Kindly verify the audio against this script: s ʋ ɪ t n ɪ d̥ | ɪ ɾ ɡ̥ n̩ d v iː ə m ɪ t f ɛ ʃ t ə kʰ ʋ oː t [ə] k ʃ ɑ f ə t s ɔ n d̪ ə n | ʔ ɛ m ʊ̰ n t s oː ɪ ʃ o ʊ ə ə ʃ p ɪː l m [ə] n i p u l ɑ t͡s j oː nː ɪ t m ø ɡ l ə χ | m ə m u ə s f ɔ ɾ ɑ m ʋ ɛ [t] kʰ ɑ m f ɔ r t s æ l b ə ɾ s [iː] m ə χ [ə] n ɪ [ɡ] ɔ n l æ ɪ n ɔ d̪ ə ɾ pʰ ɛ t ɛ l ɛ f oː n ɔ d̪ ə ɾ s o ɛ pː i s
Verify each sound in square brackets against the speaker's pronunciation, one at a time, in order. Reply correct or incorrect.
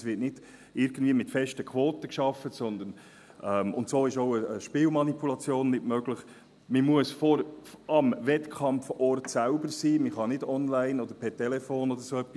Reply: correct, incorrect, correct, correct, incorrect, incorrect

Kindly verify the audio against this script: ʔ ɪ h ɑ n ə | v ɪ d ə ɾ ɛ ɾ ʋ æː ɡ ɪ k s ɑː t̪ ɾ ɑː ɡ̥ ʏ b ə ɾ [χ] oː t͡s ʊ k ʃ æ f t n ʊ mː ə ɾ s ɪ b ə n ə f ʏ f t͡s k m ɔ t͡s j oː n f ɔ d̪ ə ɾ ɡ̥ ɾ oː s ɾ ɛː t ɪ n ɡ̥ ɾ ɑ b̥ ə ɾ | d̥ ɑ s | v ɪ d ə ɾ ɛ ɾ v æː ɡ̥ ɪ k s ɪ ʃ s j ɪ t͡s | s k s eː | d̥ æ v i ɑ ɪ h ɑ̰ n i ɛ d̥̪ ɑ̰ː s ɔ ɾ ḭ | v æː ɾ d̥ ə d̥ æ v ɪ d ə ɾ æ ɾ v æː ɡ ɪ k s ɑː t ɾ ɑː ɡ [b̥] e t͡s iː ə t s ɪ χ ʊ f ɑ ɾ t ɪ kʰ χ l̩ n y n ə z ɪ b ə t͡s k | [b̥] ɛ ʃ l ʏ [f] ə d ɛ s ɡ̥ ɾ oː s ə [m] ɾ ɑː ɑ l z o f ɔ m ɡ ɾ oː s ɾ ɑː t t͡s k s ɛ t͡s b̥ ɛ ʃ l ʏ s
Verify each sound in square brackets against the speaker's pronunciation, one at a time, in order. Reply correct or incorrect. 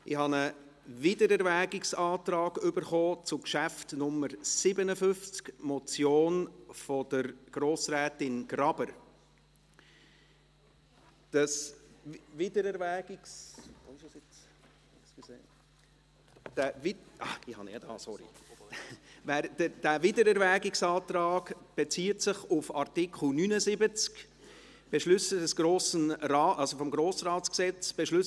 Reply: correct, correct, correct, incorrect, incorrect

